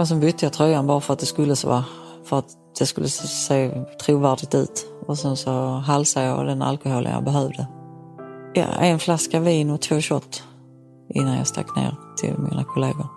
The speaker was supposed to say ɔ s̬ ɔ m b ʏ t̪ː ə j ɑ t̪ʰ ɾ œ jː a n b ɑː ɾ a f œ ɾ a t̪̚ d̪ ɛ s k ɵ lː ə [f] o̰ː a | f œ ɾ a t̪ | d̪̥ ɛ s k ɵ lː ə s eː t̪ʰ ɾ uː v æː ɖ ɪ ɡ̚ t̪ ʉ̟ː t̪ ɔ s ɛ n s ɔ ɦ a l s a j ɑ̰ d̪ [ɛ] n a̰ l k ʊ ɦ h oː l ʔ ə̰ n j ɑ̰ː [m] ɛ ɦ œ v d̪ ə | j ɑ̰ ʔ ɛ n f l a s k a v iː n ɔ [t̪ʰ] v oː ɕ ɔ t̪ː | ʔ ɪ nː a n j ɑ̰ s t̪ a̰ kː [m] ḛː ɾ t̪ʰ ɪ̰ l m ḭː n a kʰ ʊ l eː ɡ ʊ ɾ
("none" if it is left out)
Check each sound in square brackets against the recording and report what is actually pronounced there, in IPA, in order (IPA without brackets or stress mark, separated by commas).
s, ɛ, b, t̪ʰ, n